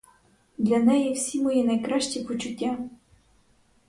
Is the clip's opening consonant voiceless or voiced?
voiced